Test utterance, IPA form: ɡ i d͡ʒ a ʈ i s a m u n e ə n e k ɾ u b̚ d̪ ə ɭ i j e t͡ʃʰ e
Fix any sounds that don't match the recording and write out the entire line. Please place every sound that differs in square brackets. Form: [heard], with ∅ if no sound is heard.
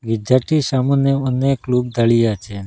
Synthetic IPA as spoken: ɡ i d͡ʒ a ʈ i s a m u n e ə n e k [l] u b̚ d̪ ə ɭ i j [a] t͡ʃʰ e

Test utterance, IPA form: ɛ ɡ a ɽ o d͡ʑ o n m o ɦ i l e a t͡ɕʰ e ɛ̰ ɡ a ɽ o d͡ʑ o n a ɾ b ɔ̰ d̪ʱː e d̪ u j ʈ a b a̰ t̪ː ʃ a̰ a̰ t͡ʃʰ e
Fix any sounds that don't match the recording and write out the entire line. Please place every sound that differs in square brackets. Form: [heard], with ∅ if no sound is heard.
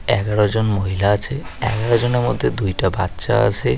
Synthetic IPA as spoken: ɛ ɡ a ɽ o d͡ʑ o n m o ɦ i l [a] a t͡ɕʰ e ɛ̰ ɡ a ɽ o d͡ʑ o n [e] ɾ [m] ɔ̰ d̪ʱː e d̪ u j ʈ a b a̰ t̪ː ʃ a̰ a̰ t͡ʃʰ e

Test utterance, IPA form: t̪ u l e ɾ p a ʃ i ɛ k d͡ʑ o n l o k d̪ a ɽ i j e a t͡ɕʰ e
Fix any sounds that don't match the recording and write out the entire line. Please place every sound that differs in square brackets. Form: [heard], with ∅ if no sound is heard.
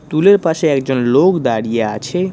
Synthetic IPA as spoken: t̪ u l e ɾ p a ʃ [e] ɛ k d͡ʑ o n l o k d̪ a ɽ i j e a t͡ɕʰ e

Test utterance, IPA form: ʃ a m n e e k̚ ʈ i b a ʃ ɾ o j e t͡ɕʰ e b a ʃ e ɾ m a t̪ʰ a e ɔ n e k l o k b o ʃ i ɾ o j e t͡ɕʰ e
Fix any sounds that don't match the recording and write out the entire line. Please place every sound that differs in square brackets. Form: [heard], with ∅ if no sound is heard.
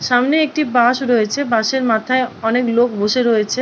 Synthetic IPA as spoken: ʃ a m n e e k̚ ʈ i b a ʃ ɾ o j e t͡ɕʰ e b a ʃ e ɾ m a t̪ʰ a e ɔ n e k l o k b o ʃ [e] ɾ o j e t͡ɕʰ e

